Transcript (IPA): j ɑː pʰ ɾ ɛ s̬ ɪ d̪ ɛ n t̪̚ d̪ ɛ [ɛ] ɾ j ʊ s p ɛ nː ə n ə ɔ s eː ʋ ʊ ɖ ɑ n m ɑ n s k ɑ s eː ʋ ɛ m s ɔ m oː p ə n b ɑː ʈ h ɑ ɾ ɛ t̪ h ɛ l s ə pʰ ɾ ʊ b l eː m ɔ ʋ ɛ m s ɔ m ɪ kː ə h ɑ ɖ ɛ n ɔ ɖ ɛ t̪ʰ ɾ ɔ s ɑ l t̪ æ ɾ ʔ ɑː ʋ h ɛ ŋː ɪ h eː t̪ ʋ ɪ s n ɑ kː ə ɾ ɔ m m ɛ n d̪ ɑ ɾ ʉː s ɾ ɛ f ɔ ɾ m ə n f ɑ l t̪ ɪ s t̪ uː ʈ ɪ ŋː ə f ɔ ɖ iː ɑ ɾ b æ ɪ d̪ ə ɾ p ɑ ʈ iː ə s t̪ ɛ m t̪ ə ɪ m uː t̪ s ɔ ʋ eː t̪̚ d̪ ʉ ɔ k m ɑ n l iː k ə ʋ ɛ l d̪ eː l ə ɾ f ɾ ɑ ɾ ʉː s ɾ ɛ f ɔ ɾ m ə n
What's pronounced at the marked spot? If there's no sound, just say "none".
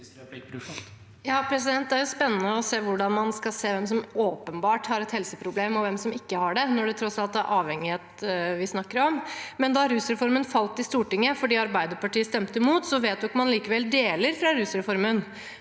æ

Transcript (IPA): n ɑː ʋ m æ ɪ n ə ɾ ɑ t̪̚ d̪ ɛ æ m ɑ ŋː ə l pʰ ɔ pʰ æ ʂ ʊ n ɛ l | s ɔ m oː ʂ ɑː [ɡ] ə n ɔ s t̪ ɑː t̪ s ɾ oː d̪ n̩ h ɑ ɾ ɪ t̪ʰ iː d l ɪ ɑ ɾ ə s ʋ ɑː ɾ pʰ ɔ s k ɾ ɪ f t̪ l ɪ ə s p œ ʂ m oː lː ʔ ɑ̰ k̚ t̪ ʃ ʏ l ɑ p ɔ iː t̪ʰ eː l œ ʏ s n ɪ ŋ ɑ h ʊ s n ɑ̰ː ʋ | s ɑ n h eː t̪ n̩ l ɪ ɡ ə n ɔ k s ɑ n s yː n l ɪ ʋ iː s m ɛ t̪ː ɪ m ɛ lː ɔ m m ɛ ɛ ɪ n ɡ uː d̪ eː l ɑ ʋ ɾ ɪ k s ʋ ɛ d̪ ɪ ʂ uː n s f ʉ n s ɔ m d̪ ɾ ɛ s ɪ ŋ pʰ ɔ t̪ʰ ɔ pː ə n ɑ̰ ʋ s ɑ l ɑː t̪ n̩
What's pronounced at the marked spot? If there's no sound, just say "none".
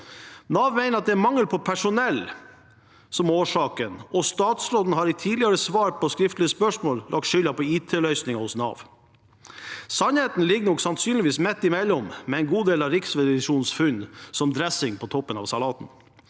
k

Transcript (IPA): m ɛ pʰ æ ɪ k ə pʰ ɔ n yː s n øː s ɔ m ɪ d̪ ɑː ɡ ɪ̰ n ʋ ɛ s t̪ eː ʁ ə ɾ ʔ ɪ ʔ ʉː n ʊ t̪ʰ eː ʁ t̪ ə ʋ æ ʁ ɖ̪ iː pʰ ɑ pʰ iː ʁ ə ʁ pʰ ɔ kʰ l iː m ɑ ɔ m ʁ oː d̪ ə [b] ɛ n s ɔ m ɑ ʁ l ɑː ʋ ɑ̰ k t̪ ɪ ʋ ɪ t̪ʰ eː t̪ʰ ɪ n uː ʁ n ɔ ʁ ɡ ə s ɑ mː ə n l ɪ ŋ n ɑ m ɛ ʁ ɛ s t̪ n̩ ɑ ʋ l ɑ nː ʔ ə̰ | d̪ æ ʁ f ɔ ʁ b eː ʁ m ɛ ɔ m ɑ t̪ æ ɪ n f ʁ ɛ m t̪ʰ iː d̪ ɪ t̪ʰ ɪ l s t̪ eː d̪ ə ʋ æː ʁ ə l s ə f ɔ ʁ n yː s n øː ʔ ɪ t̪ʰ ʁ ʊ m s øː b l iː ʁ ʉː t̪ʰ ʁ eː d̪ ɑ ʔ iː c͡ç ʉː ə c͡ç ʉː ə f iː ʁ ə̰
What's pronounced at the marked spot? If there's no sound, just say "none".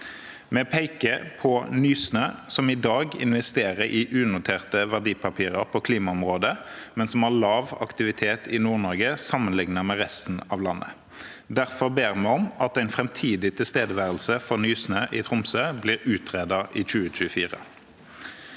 m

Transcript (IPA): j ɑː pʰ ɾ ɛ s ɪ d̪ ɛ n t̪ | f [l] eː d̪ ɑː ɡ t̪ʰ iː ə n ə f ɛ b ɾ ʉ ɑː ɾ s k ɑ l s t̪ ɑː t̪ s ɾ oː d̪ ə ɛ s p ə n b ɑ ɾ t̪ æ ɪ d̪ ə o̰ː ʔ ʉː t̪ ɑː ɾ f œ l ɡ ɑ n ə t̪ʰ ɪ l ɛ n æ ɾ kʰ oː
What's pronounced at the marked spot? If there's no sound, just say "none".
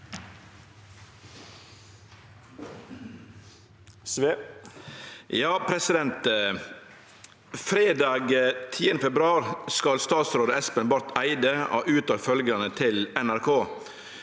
ɾ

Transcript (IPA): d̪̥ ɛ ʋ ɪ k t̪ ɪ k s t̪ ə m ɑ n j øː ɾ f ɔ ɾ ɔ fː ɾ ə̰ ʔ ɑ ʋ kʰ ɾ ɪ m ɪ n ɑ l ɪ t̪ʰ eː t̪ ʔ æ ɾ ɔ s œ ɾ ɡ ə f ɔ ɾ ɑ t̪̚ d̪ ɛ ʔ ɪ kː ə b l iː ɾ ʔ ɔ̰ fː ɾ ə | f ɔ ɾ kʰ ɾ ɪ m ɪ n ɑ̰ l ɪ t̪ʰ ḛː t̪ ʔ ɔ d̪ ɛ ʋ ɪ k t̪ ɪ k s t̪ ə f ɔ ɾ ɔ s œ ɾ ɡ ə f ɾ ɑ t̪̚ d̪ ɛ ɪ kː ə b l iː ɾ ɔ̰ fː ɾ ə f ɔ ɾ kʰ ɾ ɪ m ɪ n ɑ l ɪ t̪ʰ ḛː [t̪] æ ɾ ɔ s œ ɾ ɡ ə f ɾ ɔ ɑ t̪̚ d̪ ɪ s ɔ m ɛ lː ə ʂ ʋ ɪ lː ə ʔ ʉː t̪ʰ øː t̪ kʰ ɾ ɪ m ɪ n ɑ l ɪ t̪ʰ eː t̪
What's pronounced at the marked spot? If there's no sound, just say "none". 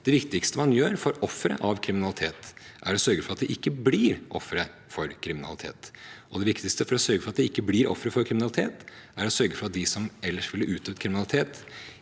t̪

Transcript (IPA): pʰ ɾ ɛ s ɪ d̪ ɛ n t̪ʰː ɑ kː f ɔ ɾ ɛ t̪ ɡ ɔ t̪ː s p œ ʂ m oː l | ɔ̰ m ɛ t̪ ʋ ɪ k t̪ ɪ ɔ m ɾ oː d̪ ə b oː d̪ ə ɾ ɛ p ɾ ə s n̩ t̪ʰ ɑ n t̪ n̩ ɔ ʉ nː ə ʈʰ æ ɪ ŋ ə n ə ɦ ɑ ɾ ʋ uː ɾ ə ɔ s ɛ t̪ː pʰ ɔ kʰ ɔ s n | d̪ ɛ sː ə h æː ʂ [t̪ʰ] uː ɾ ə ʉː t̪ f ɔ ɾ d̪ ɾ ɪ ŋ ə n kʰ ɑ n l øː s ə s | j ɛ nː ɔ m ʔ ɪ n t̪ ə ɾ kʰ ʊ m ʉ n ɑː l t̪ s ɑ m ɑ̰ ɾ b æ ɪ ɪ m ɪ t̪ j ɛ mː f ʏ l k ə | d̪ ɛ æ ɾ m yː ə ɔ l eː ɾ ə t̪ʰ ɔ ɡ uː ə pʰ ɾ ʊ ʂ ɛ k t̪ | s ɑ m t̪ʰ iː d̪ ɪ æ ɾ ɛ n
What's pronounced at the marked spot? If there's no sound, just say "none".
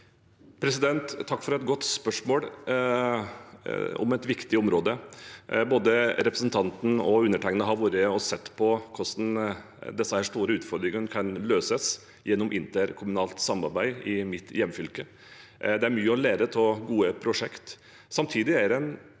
t̪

